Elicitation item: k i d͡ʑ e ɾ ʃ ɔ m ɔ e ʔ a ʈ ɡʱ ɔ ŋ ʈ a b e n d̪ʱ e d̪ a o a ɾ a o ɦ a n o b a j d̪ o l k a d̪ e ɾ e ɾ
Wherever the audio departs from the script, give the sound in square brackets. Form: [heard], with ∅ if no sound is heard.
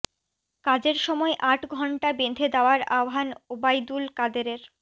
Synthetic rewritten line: k [a] d͡ʑ e ɾ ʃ ɔ m ɔ e ʔ a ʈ ɡʱ ɔ [ɳ] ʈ a b e n d̪ʱ e d̪ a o a ɾ a o ɦ a n o b a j d̪ [u] l k a d̪ e ɾ e ɾ